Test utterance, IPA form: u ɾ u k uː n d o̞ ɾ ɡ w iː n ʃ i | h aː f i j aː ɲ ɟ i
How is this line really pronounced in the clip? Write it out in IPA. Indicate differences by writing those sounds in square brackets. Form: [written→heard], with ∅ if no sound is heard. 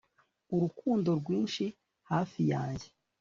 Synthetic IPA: u ɾ u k uː n d o̞ ɾ ɡ w iː n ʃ i | h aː f i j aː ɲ ɟ [i→e]